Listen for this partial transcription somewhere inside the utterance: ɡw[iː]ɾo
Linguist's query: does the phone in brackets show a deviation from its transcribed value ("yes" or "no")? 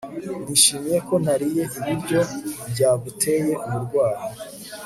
yes